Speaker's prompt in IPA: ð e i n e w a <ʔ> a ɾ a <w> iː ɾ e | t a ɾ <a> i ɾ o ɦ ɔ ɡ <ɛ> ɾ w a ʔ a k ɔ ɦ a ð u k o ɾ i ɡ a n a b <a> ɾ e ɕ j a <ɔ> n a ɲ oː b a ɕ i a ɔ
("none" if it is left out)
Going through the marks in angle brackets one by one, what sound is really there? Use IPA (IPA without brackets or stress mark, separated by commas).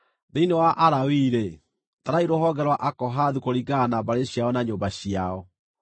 ʔ, w, a, ɛ, a, ɔ